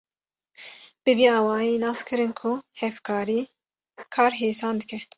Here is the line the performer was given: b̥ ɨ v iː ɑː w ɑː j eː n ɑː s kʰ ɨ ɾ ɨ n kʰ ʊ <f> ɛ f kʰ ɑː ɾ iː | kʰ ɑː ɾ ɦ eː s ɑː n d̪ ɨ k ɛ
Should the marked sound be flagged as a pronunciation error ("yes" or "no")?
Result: yes